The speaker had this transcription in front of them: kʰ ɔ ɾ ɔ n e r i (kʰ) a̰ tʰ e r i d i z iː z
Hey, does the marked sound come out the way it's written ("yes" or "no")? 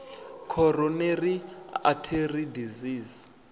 no